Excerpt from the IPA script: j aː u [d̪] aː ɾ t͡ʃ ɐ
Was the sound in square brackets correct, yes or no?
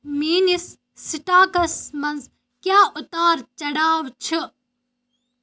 no